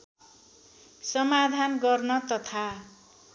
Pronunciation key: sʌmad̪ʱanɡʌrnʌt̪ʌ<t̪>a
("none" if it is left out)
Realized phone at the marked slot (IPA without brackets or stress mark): t̪ʰ